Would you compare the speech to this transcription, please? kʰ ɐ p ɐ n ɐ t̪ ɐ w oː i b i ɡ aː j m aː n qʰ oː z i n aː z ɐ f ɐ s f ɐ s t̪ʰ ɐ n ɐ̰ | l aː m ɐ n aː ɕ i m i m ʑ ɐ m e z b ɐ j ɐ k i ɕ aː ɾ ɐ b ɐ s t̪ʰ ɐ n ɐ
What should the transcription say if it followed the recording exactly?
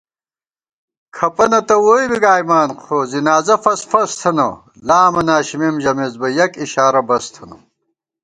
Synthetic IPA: kʰ ɐ p ɐ n ɐ t̪ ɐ w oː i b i ɡ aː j m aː n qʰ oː z i n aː z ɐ f ɐ s f ɐ s t̪ʰ ɐ n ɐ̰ | l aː m ɐ n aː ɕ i m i m ʑ ɐ m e z b ɐ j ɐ k i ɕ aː ɾ ɐ b ɐ s t̪ʰ ɐ n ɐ